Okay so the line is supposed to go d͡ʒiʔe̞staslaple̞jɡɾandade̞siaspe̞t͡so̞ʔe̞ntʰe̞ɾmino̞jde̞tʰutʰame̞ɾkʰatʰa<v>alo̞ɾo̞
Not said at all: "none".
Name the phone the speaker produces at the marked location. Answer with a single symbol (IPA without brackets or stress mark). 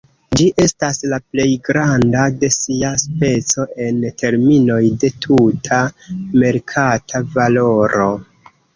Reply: v